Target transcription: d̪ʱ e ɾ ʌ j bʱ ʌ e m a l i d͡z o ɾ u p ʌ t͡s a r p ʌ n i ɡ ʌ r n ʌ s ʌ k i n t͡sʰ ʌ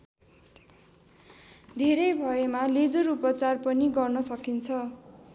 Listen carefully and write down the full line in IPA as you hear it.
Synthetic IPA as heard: d̪ʱ e ɾ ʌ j bʱ ʌ e m a l e d͡z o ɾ u p ʌ t͡s a r p ʌ n i ɡ ʌ r n ʌ s ʌ k i n t͡sʰ ʌ